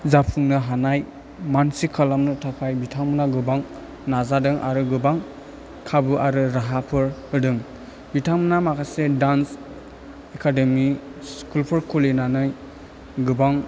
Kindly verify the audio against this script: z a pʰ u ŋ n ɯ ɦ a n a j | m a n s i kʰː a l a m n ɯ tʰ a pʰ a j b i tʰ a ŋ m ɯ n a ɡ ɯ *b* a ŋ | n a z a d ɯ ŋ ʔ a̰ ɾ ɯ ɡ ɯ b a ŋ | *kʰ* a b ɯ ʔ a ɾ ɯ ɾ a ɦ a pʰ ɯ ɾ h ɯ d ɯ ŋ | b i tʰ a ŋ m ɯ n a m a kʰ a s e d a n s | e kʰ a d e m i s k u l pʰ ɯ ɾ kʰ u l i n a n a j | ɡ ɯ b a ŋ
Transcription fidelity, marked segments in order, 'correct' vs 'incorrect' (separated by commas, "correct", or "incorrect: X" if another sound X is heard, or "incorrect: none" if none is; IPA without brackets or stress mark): correct, correct